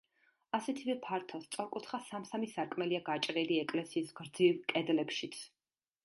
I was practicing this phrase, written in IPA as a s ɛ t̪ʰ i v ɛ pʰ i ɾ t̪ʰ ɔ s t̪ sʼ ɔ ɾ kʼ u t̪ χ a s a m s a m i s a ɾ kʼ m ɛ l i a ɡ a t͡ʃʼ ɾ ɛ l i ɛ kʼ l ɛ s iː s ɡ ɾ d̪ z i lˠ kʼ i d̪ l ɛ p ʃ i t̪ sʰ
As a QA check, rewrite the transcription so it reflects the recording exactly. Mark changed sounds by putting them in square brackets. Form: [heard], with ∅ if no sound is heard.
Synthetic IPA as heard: a s ɛ t̪ʰ i v ɛ pʰ [a] ɾ t̪ʰ ɔ s t̪ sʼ ɔ ɾ kʼ u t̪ χ a s a m s a m i s a ɾ kʼ m ɛ l i a ɡ a t͡ʃʼ ɾ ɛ l i ɛ kʼ l ɛ s iː s ɡ ɾ d̪ z i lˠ kʼ [ɛ] d̪ l ɛ p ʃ i t̪ sʰ